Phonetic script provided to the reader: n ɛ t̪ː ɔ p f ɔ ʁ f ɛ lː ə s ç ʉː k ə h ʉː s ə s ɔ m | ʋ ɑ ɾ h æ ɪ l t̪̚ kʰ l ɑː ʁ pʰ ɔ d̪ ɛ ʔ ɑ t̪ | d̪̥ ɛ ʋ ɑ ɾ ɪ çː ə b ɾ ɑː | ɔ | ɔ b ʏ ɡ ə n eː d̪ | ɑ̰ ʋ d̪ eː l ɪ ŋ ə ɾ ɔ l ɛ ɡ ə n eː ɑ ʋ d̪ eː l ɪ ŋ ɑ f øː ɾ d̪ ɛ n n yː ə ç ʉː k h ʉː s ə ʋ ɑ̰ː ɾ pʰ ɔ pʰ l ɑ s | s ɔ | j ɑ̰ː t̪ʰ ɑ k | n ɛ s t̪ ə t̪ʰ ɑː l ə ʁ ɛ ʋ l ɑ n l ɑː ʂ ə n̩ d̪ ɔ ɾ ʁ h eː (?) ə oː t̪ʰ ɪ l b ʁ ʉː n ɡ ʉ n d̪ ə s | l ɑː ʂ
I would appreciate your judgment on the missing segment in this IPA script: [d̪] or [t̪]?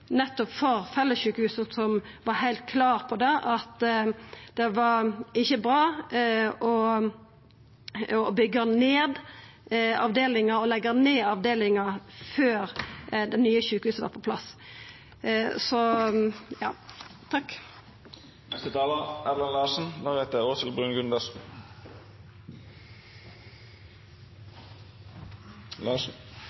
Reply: t̪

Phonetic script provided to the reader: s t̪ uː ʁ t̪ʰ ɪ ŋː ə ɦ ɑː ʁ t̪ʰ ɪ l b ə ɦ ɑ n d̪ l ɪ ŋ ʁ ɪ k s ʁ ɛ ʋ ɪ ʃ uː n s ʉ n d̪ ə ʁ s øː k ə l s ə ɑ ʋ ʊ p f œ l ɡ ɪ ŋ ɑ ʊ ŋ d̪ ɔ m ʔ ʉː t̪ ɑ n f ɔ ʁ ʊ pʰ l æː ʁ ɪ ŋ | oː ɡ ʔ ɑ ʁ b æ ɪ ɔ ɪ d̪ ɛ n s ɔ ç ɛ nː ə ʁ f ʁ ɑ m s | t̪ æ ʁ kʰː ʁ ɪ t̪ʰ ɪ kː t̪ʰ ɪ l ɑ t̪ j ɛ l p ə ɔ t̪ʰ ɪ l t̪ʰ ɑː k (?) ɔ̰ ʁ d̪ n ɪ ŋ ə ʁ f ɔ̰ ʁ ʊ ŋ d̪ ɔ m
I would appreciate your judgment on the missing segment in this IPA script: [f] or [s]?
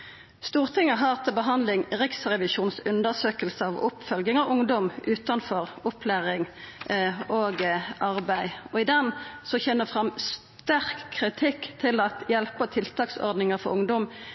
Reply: s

